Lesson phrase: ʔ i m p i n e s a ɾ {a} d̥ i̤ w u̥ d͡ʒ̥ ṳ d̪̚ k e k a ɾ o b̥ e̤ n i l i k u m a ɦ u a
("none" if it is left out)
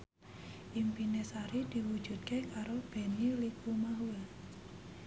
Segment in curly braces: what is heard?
i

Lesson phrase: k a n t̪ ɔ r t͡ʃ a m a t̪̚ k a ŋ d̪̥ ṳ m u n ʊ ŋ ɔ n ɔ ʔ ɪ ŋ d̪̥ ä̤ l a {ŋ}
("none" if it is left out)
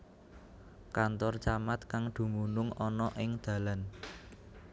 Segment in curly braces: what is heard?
n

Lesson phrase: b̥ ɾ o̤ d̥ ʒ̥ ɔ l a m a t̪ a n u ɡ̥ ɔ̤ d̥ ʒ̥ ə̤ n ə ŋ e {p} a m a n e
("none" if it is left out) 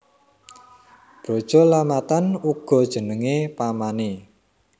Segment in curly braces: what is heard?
p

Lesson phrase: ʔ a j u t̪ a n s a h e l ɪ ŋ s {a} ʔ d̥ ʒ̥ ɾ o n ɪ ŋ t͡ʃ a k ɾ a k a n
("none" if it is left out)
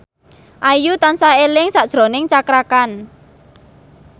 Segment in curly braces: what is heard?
a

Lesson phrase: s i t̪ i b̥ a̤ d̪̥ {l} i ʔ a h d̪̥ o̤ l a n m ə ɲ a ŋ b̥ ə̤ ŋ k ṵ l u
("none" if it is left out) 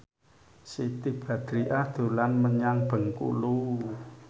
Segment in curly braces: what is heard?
ɾ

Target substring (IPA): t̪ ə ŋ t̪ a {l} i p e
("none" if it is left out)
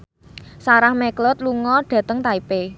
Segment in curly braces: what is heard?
none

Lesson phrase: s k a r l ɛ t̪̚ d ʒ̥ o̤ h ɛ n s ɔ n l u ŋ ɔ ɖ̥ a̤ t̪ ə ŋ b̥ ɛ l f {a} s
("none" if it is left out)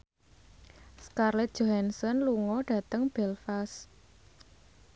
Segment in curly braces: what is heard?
a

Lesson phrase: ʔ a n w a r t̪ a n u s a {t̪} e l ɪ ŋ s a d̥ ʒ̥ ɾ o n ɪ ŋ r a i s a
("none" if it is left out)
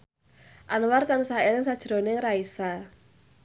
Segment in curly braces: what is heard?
none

